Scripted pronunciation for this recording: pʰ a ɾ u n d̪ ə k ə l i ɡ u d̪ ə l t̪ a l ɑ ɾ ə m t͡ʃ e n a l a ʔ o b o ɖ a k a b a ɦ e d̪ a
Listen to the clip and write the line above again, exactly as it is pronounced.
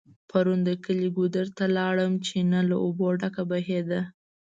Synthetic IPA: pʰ a ɾ u n d̪ ə k ə l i ɡ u d̪ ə ɾ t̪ a l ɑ ɽ ə m t͡ʃ e n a l a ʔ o b o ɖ a k a b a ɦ e d̪ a